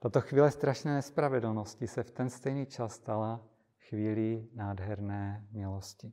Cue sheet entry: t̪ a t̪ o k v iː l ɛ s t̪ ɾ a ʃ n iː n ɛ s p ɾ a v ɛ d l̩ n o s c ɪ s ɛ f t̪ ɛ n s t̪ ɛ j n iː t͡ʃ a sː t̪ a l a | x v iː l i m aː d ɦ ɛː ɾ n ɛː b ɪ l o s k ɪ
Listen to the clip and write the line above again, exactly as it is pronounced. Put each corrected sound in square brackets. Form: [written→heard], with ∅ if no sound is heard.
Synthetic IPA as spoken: t̪ a t̪ o [k→x] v iː l ɛ s t̪ ɾ a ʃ n [iː→ɛː] n ɛ s p ɾ a v ɛ d l̩ n o s c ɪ s ɛ f t̪ ɛ n s t̪ ɛ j n iː t͡ʃ a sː t̪ a l a | x v iː l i [m→n] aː d ɦ [ɛː→ɛ] ɾ n ɛː [b→m] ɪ l o s [k→c] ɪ